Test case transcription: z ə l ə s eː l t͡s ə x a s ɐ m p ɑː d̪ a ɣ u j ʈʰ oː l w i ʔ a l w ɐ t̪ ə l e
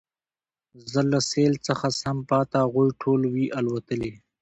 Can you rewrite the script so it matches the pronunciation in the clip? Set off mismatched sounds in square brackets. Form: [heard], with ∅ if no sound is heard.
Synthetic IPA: z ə l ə s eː l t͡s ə x a s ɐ m p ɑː [t̪] a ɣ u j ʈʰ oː l w i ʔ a l w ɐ t̪ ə l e